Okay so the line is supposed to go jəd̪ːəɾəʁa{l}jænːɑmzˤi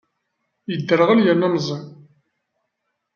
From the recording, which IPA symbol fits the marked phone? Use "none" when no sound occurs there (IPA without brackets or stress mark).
l